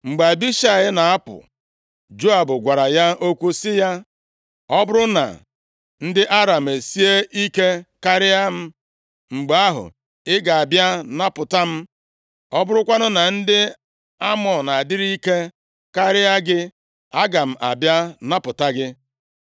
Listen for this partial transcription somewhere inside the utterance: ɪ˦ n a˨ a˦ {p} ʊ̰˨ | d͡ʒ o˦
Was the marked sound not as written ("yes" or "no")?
no